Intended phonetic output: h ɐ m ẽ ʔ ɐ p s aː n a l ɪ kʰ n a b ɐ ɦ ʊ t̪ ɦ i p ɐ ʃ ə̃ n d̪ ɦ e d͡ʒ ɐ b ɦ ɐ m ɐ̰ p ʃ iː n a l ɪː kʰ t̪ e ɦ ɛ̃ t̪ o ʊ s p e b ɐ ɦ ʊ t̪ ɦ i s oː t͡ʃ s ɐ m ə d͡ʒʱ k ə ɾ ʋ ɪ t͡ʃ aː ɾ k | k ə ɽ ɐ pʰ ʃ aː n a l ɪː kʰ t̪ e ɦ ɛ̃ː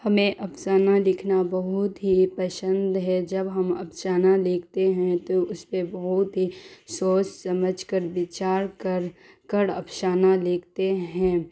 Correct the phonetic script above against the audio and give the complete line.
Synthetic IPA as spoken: h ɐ m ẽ ʔ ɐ p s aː n a l ɪ kʰ n a b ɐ ɦ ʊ t̪ ɦ i p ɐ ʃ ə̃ n d̪ ɦ ɛ d͡ʒ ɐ b ɦ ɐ m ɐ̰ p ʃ aː n a l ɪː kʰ t̪ e ɦ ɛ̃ t̪ o ʊ s p e b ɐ ɦ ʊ t̪ ɦ i s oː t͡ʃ s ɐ m ə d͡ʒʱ k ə ɾ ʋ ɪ t͡ʃ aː ɾ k | k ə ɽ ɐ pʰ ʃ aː n a l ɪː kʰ t̪ e ɦ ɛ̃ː